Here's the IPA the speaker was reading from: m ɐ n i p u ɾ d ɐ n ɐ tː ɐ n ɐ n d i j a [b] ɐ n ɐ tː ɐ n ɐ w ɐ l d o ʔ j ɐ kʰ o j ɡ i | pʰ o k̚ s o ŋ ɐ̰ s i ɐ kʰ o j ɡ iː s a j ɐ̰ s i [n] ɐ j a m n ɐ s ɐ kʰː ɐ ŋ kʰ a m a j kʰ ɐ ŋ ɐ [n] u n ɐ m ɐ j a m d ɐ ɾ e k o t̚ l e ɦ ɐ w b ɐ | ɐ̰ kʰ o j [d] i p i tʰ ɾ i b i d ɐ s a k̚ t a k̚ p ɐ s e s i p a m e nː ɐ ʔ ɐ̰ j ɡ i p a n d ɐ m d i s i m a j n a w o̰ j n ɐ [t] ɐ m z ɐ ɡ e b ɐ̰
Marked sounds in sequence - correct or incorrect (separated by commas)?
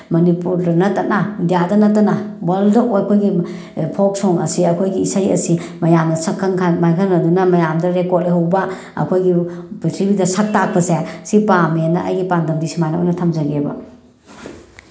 incorrect, incorrect, incorrect, incorrect, incorrect